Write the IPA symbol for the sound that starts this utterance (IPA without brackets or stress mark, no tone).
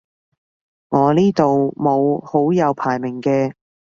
ŋ